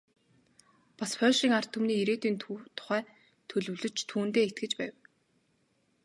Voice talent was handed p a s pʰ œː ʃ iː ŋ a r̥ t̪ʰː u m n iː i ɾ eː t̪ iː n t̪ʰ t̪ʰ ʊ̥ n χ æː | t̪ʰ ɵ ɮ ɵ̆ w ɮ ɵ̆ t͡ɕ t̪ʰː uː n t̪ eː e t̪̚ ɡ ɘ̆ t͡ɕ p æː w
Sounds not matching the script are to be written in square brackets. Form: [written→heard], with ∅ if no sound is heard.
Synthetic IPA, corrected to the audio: p a s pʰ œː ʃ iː ŋ a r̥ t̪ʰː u m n iː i ɾ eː t̪ iː n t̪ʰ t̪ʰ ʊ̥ [n→∅] χ æː | t̪ʰ ɵ ɮ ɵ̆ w ɮ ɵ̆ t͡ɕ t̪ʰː uː n t̪ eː e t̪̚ ɡ ɘ̆ t͡ɕ p æː w